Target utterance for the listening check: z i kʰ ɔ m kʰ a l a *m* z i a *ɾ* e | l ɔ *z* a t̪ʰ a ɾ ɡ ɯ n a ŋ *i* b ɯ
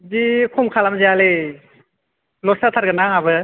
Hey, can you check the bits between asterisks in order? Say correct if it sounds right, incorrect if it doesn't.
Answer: correct, incorrect, incorrect, incorrect

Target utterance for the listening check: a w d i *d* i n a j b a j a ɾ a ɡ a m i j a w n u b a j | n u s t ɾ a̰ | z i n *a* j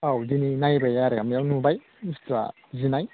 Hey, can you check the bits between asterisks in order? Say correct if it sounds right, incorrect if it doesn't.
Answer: incorrect, correct

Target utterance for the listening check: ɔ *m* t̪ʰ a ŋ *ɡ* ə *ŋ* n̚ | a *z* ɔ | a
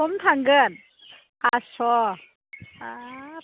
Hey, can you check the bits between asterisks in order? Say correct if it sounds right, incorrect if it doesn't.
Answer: correct, correct, incorrect, incorrect

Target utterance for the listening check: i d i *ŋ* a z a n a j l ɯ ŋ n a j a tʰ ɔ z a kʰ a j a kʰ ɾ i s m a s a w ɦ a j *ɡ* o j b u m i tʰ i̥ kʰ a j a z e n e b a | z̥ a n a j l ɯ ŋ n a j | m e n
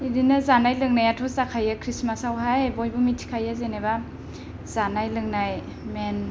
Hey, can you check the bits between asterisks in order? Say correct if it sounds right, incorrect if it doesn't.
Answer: incorrect, incorrect

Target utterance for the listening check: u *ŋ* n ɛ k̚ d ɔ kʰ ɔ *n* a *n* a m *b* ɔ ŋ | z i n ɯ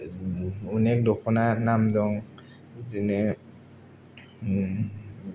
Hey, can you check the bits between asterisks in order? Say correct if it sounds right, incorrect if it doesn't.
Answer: incorrect, correct, correct, incorrect

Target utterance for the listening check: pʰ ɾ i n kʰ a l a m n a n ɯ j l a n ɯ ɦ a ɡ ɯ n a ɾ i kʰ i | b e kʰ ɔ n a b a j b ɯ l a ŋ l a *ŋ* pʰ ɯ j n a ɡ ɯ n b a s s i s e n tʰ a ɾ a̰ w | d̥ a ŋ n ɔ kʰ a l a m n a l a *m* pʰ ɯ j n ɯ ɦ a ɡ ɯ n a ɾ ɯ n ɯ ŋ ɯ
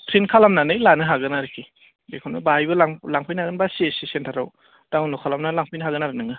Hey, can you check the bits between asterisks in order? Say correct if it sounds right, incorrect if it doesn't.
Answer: correct, incorrect

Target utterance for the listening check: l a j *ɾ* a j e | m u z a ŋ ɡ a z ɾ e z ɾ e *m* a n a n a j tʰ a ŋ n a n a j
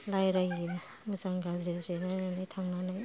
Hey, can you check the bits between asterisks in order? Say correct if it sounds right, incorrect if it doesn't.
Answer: correct, incorrect

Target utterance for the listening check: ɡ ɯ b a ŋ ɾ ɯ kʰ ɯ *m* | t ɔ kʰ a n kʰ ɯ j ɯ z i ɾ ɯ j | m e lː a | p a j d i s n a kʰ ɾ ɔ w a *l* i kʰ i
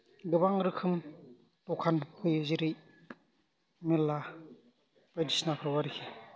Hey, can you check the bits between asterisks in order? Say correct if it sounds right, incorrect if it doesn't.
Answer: correct, incorrect

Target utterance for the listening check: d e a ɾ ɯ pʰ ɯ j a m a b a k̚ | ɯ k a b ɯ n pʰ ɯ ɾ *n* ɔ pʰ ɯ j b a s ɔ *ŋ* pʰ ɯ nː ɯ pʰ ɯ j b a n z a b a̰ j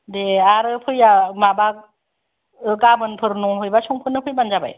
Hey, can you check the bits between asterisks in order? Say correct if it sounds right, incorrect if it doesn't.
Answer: correct, correct

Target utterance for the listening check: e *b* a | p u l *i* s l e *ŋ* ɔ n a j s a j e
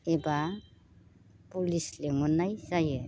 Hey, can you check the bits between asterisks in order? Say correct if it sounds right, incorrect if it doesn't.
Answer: correct, correct, correct

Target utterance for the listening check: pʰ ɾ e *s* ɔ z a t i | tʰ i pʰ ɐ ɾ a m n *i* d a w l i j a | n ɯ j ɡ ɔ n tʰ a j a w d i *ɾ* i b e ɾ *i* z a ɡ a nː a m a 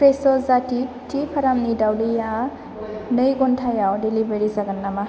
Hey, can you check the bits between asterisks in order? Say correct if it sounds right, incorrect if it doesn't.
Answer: correct, correct, incorrect, correct

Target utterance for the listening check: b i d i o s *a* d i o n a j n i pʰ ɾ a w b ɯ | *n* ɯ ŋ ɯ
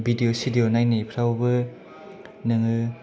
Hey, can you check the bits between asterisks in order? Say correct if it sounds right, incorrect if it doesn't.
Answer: incorrect, correct

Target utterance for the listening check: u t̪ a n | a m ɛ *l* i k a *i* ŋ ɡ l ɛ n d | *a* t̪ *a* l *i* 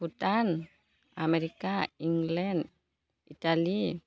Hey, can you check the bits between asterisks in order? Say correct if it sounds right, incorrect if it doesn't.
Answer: incorrect, correct, incorrect, correct, correct

